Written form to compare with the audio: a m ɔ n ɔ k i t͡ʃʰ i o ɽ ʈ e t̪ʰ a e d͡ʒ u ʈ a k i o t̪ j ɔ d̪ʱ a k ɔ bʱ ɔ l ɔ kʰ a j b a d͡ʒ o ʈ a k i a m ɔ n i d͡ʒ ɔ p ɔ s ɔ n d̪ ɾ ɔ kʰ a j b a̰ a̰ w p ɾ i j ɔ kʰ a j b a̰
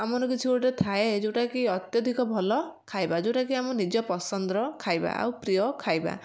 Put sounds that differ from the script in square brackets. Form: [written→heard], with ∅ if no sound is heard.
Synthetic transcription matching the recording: a m ɔ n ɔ k i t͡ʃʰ i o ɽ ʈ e t̪ʰ a e d͡ʒ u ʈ a k i [o→ɔ] t̪ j ɔ d̪ʱ [a→i] k ɔ bʱ ɔ l ɔ kʰ a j b a d͡ʒ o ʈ a k i a m ɔ n i d͡ʒ ɔ p ɔ s ɔ n d̪ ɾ ɔ kʰ a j b a̰ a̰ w p ɾ i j ɔ kʰ a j b a̰